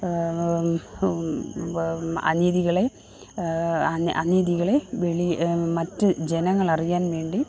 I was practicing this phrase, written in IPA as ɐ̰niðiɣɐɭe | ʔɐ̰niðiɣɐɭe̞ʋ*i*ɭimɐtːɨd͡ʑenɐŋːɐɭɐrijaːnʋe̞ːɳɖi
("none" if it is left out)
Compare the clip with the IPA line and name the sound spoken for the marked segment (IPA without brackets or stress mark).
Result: e